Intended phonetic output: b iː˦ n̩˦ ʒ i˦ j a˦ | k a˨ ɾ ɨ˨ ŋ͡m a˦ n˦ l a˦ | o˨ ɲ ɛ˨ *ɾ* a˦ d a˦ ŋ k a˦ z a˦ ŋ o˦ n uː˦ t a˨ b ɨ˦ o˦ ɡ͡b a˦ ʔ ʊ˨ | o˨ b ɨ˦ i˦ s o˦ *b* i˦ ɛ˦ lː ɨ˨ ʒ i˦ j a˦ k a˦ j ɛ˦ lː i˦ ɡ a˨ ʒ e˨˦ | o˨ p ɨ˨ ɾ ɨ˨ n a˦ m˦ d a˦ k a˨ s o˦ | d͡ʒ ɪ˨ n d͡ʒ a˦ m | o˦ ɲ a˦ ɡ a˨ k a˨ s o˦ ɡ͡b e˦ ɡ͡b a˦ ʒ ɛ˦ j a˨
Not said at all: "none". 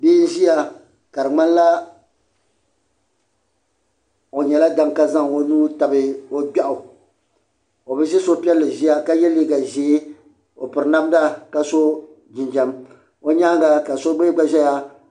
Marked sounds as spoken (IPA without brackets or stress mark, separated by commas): l, p